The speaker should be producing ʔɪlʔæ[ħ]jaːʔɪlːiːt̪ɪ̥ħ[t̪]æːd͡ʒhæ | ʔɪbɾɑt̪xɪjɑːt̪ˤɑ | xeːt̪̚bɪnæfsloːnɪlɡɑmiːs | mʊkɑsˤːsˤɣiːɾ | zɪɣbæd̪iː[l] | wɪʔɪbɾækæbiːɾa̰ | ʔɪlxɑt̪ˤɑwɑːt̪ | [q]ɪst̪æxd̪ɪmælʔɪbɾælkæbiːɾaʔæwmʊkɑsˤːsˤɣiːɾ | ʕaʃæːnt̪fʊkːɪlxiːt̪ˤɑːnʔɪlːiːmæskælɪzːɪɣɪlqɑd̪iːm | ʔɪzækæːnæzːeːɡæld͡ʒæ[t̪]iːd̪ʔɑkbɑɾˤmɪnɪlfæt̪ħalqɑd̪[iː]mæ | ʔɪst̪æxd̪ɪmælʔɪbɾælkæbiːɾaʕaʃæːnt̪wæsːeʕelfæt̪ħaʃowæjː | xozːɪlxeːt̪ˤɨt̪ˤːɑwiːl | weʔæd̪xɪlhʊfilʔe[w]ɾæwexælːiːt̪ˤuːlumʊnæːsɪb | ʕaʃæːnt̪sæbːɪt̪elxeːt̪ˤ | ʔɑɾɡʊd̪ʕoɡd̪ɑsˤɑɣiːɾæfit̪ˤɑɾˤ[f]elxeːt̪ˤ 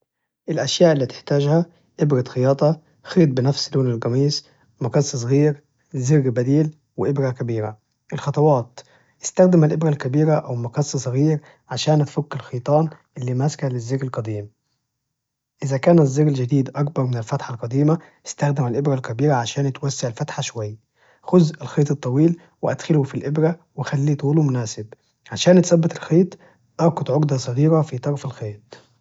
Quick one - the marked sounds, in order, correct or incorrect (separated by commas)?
incorrect, correct, correct, incorrect, incorrect, correct, incorrect, correct